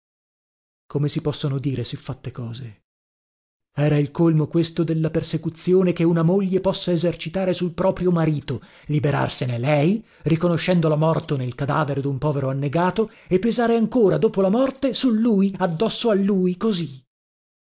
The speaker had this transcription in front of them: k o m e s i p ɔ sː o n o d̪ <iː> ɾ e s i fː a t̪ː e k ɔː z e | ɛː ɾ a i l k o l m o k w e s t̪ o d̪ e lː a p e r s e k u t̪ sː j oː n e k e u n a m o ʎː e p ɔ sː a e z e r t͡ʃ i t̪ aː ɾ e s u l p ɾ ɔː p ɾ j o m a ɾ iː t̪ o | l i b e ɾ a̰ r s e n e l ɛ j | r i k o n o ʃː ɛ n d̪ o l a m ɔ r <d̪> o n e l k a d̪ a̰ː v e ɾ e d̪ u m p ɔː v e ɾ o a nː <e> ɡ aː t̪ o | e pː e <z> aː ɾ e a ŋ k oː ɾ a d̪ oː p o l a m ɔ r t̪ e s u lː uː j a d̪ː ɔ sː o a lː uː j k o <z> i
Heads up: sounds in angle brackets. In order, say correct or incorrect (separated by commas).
correct, incorrect, correct, correct, correct